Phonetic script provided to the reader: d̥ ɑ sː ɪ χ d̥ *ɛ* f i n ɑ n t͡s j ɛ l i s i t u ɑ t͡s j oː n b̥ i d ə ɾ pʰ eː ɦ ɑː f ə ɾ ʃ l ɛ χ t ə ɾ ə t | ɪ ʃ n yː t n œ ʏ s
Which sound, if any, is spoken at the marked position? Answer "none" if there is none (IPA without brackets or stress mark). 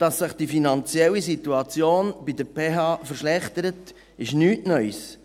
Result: i